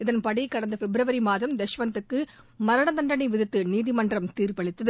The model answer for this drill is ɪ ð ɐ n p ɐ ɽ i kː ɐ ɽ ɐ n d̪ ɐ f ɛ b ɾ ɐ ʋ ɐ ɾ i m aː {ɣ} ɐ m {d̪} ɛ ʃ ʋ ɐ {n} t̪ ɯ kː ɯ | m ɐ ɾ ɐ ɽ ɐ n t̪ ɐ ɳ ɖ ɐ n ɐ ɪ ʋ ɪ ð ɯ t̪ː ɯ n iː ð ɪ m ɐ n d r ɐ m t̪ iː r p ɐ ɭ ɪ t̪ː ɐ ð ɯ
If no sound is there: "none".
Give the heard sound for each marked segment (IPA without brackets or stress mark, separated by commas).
ð, d̪, n